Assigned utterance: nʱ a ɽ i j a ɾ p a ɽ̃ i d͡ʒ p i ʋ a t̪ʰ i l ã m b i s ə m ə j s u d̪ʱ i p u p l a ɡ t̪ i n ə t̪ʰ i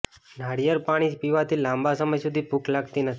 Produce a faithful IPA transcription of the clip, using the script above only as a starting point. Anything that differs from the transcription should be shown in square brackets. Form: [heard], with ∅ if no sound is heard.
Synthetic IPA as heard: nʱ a ɽ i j [ə] ɾ p a ɽ̃ i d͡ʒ p i ʋ a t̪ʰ i l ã m b [a] s ə m ə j s u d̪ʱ i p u [k] l a ɡ t̪ i n ə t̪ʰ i

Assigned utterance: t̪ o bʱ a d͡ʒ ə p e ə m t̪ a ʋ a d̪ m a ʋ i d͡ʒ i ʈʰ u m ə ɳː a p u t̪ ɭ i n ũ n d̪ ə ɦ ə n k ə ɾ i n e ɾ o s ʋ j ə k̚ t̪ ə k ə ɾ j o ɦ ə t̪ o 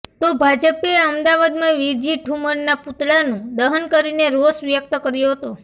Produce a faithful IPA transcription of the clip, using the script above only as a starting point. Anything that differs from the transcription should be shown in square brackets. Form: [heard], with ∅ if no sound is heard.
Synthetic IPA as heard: t̪ o bʱ a d͡ʒ ə p e ə m [d̪] a ʋ a d̪ m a ʋ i d͡ʒ i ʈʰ u m ə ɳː a p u t̪ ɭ [a] n ũ [∅] d̪ ə ɦ ə n k ə ɾ i n e ɾ o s ʋ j ə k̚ t̪ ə k ə ɾ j o ɦ ə t̪ o

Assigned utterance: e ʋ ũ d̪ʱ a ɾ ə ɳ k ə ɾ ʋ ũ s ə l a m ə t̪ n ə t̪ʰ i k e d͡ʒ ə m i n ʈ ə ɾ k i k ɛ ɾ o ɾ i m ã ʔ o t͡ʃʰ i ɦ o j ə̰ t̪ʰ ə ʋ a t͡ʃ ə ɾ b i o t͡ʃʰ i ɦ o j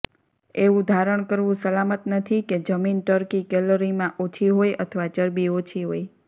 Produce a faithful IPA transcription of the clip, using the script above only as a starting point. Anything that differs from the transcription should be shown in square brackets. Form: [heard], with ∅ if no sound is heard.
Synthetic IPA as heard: e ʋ ũ d̪ʱ a ɾ ə ɳ k ə ɾ ʋ ũ s ə l a m ə t̪ n ə t̪ʰ i k e d͡ʒ ə m i n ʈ ə ɾ k i k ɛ [l] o ɾ i m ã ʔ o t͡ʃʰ i ɦ o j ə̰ t̪ʰ ə ʋ a t͡ʃ ə ɾ b i o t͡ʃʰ i ɦ o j

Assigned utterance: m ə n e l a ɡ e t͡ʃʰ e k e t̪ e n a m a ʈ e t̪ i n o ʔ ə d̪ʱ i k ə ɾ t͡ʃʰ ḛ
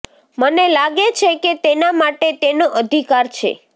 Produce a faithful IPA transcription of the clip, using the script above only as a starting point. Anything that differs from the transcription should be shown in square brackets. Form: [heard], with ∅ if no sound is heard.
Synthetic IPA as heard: m ə n e l a ɡ e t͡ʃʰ e k e t̪ e n a m a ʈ e t̪ [e] n o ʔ ə d̪ʱ i k [a] ɾ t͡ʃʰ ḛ

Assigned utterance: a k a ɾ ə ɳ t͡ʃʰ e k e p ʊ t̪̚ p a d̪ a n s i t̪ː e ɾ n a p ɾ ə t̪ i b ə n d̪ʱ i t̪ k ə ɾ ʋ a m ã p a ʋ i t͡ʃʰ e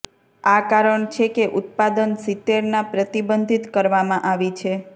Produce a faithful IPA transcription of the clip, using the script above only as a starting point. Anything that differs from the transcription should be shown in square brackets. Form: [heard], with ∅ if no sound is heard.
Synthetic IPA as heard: a k a ɾ ə ɳ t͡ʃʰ e k e [ʔ] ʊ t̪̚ p a d̪ [ə] n s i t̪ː e ɾ n a p ɾ ə t̪ i b ə n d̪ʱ i t̪ k ə ɾ ʋ a m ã [ʔ] a ʋ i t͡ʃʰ e

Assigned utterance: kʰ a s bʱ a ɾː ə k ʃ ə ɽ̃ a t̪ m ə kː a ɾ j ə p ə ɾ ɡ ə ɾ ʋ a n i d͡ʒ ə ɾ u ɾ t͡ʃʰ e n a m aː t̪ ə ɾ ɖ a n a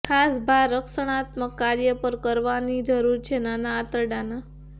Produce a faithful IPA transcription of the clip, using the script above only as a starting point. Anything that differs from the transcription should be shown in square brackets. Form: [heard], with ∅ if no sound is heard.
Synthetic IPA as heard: kʰ a s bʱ a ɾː ə k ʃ ə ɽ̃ a t̪ m ə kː a ɾ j ə p ə ɾ [k] ə ɾ ʋ a n i d͡ʒ ə ɾ u ɾ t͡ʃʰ e n a [n] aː t̪ ə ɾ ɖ a n a

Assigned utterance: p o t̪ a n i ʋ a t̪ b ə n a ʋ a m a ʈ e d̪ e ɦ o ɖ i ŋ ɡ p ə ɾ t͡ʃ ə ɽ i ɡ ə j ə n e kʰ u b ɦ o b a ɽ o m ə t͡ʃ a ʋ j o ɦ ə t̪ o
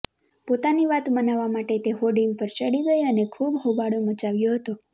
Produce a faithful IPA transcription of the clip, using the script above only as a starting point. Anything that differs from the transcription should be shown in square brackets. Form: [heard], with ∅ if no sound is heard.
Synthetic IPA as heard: p o t̪ a n i ʋ a t̪ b ə n a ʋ a m a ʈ e [t̪] e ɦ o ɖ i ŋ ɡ p ə ɾ t͡ʃ ə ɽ i ɡ ə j ə n e kʰ u b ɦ o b a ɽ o m ə t͡ʃ a ʋ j o ɦ ə t̪ o

